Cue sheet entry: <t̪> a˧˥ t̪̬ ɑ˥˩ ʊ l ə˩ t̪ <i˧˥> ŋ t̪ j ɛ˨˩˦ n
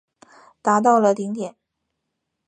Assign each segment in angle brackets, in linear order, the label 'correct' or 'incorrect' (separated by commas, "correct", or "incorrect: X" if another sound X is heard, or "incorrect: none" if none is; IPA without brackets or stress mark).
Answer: correct, correct